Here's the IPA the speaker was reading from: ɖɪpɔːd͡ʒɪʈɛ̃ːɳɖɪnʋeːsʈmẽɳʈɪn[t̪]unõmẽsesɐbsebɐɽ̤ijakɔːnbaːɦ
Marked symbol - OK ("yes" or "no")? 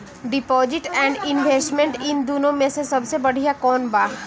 no